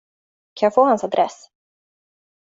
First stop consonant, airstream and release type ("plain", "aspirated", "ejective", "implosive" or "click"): aspirated